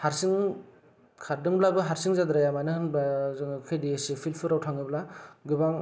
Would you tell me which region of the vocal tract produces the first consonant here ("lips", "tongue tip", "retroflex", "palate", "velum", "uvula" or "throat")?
throat